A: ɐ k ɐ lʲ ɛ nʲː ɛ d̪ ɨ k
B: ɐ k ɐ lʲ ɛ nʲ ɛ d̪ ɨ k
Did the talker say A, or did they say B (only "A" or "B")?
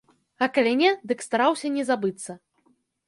B